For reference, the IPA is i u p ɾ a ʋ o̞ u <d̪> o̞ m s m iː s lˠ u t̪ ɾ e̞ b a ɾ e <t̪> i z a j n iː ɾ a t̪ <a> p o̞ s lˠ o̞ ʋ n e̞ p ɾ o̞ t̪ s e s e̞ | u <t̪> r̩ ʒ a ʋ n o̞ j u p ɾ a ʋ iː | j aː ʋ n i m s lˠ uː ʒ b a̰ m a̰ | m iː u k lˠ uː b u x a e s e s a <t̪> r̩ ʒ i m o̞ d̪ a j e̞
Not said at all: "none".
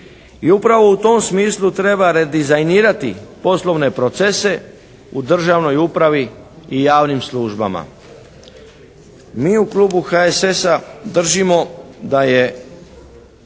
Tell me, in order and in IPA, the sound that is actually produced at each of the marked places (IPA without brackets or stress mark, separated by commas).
t̪, d̪, i, d̪, d̪